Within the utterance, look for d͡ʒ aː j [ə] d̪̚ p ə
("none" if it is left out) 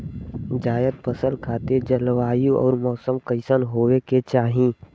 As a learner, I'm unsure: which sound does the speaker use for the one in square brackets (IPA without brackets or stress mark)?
ə